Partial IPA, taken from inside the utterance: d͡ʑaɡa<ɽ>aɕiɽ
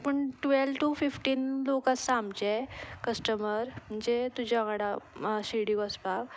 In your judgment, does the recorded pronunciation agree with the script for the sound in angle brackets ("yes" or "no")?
yes